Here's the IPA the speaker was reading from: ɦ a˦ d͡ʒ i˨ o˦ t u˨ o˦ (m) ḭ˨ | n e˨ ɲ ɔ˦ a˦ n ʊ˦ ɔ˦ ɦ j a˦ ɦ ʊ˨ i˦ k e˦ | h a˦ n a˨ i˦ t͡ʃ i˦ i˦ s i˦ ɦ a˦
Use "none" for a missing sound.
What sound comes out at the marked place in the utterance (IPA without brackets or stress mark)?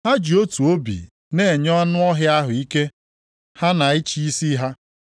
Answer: b